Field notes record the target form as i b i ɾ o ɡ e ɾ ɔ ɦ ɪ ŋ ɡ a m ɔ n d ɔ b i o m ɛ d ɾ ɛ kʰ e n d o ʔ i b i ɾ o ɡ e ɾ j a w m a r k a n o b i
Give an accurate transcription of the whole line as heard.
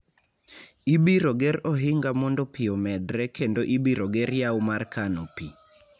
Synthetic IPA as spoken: i b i ɾ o ɡ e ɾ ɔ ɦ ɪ ŋ ɡ a m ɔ n d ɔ p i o m ɛ d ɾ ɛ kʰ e n d o ʔ i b i ɾ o ɡ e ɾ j a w m a r k a n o p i

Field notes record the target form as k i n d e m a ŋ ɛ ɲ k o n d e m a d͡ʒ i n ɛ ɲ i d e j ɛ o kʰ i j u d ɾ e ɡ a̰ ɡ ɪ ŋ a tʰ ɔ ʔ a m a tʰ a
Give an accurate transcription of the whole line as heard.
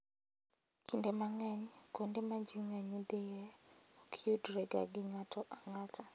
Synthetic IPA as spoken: k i n d e m a ŋ ɛ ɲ k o n d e m a d͡ʒ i ŋ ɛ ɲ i d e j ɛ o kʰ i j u d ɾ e ɡ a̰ ɡ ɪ ŋ a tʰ ɔ ʔ a ŋ a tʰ a

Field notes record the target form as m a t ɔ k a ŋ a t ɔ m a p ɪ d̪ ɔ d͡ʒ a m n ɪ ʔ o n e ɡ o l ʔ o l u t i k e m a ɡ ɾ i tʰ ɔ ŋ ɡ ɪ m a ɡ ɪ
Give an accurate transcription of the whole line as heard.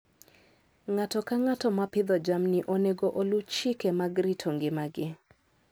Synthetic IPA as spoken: ŋ a t ɔ k a ŋ a t ɔ m a p ɪ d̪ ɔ d͡ʒ a m n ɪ ʔ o n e ɡ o ʔ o l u t͡ʃ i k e m a ɡ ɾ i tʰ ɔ ŋ ɡ ɪ m a ɡ ɪ

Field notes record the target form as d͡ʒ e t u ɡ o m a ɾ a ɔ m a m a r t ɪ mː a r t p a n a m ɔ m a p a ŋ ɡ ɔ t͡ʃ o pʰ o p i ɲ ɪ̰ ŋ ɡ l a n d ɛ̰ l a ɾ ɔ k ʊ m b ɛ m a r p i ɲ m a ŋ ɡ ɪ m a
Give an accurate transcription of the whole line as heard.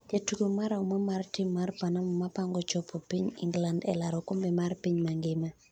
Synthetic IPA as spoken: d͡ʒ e t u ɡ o m a ɾ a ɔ m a m a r t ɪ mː a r t p a n a m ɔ m a p a ŋ ɡ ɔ t͡ʃ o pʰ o p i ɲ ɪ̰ ŋ ɡ l a n d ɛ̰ l a ɾ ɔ k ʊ m b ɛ m a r p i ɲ m a ŋ ɡ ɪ m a

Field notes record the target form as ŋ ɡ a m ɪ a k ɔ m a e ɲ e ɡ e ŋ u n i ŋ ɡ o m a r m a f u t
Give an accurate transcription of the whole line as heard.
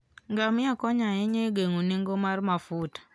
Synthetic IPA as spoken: ŋ ɡ a m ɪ a k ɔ ɲ a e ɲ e ɡ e ŋ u n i ŋ ɡ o m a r m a f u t

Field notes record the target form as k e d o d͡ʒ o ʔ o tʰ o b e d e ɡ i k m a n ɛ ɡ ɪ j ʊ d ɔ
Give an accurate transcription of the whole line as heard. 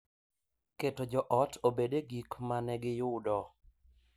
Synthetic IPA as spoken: k e t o d͡ʒ ɔ ʔ ɔ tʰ o b e d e ɡ i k m a n ɛ ɡ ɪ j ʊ d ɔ

